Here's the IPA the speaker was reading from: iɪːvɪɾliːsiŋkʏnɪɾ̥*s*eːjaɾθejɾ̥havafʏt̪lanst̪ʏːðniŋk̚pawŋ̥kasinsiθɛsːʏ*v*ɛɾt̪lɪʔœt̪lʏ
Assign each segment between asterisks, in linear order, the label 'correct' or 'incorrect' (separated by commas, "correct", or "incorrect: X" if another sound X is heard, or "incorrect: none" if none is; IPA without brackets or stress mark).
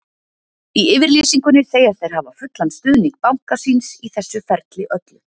incorrect: θ, incorrect: f